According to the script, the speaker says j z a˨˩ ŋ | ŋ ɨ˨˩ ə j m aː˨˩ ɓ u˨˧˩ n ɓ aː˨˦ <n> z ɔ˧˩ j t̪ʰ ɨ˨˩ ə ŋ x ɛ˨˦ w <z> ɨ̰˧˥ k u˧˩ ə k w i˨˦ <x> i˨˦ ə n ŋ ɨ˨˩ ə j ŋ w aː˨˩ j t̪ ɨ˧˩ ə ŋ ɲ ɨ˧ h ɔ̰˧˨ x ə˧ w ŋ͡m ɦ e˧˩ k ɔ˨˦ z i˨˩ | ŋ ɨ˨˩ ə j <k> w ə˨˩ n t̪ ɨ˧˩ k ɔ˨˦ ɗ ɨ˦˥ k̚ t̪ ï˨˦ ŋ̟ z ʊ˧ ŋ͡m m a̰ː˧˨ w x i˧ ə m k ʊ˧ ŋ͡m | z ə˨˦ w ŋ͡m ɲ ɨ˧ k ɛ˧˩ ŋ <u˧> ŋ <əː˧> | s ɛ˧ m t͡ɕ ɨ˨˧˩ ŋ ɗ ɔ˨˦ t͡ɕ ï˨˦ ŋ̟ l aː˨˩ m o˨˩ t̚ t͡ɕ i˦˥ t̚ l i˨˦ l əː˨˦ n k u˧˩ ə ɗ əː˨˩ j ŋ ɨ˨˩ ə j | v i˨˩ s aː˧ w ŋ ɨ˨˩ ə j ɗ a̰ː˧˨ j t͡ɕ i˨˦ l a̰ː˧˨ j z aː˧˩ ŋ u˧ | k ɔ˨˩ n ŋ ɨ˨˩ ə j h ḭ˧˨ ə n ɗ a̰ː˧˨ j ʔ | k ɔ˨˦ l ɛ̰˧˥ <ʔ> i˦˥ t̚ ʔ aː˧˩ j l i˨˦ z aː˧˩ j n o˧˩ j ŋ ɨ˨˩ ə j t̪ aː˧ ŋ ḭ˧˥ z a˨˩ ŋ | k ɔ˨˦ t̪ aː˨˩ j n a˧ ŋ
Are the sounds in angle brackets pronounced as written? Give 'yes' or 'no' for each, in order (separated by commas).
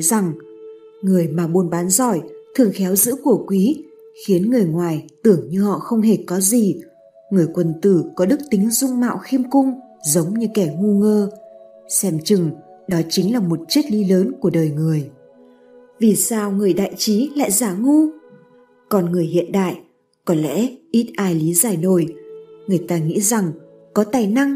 yes, yes, yes, yes, yes, yes, yes